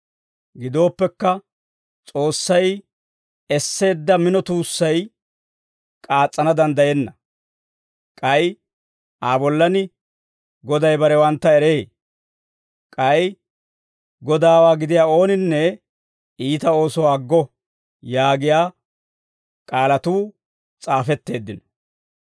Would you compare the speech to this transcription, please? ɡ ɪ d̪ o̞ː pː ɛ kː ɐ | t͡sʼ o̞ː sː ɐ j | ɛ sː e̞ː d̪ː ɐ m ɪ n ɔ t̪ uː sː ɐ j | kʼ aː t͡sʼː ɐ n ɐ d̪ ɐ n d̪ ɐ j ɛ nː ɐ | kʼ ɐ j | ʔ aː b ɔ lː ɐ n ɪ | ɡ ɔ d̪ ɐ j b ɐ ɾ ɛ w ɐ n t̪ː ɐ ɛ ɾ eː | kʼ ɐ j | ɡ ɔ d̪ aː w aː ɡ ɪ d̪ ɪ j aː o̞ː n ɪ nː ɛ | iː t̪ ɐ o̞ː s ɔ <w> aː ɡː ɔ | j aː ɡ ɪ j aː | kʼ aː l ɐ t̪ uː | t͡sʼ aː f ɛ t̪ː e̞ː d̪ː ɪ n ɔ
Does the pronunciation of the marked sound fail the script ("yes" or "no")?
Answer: no